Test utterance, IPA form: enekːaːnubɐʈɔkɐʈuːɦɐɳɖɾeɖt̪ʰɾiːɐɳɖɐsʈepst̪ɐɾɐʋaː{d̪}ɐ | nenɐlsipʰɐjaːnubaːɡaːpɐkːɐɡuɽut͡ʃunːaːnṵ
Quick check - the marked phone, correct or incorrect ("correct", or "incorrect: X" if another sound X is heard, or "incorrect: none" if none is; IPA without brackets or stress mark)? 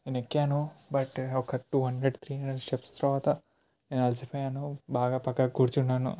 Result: incorrect: t̪